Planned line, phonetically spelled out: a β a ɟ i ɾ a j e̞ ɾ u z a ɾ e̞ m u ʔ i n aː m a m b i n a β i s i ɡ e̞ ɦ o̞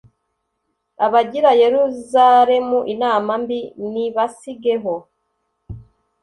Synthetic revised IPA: a β a ɟ i ɾ a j e̞ ɾ u z a ɾ e̞ m u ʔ i n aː m a m b i n i β a s i ɡ e̞ ɦ o̞